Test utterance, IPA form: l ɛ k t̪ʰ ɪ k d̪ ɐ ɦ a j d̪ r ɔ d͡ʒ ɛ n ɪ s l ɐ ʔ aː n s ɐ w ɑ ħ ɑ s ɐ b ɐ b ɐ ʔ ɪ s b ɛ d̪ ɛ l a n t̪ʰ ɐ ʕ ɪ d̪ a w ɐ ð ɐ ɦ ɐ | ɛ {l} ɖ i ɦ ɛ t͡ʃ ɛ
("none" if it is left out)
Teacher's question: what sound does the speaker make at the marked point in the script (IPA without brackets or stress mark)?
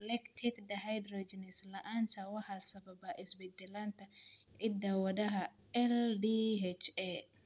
l